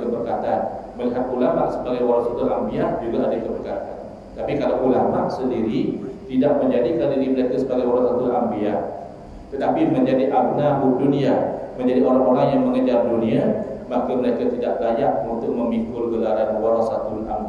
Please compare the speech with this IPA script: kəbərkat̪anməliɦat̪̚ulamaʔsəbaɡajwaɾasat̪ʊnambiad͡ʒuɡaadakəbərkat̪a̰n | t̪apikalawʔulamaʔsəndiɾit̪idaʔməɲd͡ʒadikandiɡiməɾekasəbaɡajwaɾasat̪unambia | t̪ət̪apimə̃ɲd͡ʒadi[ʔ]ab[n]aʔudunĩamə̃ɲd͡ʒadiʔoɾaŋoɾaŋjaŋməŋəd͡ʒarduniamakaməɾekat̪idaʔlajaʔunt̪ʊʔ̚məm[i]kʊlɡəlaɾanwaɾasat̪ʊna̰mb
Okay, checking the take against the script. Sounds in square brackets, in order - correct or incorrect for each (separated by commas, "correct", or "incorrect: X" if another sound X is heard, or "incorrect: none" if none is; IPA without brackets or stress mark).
correct, correct, correct